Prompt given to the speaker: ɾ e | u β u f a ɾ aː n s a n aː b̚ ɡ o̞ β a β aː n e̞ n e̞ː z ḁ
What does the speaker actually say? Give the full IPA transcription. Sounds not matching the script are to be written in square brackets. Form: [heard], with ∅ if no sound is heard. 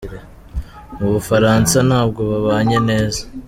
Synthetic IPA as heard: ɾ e | u β u f a ɾ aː n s a n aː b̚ ɡ o̞ β a β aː [ɲ] e̞ n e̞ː z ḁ